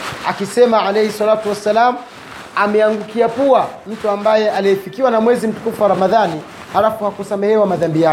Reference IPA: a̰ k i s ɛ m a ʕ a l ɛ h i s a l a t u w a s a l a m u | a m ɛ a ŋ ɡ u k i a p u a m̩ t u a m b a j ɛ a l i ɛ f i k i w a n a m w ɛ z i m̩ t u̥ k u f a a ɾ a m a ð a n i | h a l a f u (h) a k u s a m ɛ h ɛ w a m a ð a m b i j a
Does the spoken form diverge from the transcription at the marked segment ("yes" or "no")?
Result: no